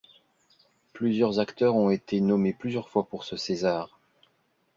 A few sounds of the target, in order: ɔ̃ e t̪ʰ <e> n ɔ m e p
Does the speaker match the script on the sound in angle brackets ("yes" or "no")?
yes